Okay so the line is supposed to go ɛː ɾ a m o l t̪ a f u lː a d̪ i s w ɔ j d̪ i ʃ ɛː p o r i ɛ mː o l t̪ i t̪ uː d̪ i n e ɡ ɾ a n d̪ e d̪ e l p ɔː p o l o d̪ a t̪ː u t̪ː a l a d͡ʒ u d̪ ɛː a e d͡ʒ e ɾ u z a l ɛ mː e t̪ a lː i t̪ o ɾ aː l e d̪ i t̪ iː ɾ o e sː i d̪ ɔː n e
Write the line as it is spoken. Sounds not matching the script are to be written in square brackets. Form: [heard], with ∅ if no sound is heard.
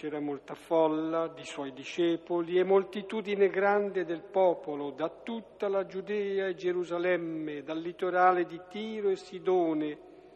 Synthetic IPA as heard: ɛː ɾ a m o l t̪ a f [ɔ] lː a d̪ i s w ɔ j d̪ i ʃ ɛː p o [l] i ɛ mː o l t̪ i t̪ uː d̪ i n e ɡ ɾ a n d̪ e d̪ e l p ɔː p o l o d̪ a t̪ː u t̪ː a l a d͡ʒ u d̪ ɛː a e d͡ʒ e ɾ u z a l ɛ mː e [d̪] a lː i t̪ o ɾ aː l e d̪ i t̪ iː ɾ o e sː i d̪ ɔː n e